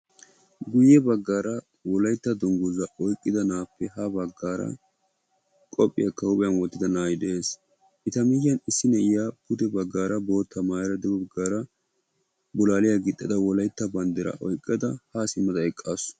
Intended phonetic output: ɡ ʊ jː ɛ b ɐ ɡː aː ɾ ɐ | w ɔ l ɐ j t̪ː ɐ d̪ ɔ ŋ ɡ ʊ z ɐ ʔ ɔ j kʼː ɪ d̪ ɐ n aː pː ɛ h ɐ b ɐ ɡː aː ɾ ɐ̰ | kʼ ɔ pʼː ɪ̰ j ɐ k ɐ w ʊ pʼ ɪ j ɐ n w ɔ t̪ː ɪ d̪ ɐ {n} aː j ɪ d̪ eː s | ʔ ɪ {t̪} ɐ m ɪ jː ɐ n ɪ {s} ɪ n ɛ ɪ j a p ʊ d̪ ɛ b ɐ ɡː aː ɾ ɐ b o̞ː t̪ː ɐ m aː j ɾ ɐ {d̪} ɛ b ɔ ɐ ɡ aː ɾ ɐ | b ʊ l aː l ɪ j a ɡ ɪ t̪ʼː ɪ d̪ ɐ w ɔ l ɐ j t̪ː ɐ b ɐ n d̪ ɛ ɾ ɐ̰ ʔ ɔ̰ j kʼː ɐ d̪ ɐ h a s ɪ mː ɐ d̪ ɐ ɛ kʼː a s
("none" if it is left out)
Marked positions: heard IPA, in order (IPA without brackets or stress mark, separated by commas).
n, t̪, sː, d̪